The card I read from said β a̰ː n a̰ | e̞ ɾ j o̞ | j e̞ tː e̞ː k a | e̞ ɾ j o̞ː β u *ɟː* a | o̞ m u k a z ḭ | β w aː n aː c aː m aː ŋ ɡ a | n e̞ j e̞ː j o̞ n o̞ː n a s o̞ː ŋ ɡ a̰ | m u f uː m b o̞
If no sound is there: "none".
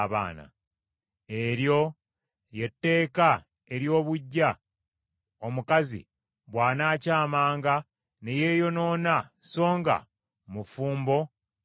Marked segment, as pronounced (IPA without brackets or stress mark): ɟː